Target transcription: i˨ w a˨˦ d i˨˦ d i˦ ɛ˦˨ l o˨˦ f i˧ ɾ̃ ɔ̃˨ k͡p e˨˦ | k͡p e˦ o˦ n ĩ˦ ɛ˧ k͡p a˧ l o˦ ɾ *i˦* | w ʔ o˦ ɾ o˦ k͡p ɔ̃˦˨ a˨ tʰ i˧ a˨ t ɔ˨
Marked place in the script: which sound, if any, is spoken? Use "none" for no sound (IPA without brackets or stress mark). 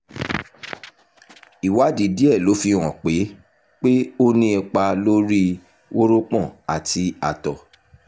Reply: i˦